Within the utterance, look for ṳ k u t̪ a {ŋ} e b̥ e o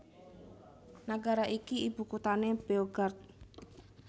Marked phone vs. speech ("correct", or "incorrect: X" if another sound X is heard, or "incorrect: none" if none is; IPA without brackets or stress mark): incorrect: n